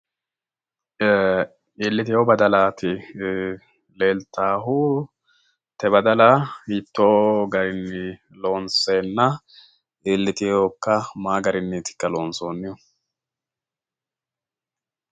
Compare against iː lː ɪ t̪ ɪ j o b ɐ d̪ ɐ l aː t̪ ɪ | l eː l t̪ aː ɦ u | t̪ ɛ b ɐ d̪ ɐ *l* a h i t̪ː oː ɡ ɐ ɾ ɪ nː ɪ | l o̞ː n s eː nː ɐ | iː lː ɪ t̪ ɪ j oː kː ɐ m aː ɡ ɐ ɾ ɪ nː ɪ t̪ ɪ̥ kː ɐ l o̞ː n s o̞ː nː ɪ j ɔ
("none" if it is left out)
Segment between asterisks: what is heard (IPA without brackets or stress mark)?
l